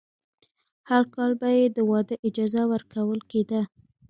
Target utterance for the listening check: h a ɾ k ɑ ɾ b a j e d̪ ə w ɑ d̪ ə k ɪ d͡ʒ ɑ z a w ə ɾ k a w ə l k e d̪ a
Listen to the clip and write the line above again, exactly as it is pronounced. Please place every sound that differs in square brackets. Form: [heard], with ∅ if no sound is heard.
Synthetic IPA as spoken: h a ɾ k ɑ [l] b a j e d̪ ə w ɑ d̪ ə [ʔ] ɪ d͡ʒ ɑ z a w ə ɾ k a w ə l k e d̪ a